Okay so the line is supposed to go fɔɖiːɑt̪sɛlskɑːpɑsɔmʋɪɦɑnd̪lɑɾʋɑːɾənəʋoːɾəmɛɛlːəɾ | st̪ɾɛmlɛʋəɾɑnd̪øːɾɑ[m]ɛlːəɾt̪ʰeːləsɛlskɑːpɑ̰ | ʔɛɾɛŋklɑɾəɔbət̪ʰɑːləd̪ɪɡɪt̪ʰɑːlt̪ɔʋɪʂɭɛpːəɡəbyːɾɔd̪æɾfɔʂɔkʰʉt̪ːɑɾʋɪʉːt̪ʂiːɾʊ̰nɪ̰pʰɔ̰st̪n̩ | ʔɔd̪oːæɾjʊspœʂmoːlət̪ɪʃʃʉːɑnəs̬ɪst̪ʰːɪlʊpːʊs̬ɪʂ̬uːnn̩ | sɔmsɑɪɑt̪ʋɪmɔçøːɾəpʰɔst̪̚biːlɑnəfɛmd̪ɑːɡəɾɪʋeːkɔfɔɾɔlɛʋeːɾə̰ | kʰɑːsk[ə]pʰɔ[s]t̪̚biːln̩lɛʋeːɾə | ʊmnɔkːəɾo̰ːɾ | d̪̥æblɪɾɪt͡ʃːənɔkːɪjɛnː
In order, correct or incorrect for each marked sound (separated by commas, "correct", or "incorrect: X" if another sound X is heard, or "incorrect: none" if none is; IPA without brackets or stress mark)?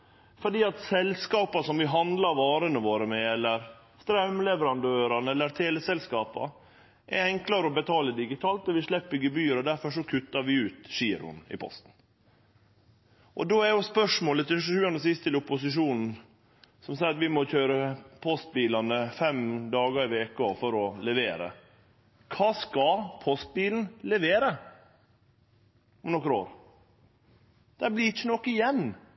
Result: incorrect: n, incorrect: ɑ, correct